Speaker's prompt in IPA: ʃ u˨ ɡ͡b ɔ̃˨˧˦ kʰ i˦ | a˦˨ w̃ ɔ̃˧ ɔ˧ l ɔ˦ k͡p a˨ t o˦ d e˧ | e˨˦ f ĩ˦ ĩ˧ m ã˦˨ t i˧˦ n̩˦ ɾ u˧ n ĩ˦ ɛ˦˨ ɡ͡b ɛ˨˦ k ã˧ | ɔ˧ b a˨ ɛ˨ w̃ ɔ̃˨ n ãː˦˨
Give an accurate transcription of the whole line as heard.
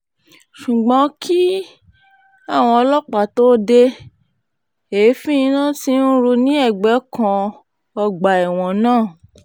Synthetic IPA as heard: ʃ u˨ ɡ͡b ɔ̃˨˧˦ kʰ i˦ | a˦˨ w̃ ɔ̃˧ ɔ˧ l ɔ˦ k͡p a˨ t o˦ d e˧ | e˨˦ f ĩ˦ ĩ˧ n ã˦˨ t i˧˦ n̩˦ ɾ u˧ n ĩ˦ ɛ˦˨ ɡ͡b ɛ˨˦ k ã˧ | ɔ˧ ɡ͡b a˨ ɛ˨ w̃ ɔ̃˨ n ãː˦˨